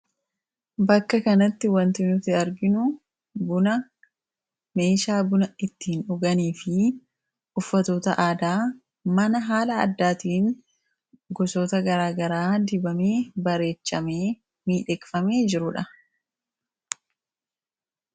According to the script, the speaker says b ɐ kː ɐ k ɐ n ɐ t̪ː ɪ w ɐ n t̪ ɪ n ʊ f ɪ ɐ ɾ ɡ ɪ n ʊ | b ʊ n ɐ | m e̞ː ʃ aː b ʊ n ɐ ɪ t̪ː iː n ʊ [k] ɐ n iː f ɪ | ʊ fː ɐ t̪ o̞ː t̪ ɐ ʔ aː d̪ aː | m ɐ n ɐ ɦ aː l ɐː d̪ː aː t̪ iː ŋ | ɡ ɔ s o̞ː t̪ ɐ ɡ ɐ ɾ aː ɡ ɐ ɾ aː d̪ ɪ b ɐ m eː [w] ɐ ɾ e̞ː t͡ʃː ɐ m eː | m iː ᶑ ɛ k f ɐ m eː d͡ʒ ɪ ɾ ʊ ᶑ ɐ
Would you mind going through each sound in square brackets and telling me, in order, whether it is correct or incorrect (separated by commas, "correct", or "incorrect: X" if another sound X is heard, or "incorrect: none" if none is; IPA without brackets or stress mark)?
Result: incorrect: ɡ, incorrect: b